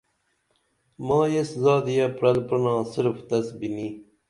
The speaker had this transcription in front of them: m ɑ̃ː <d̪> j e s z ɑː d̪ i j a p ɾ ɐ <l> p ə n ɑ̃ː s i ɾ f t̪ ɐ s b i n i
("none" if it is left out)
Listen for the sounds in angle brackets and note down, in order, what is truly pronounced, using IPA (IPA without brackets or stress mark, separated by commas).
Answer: none, l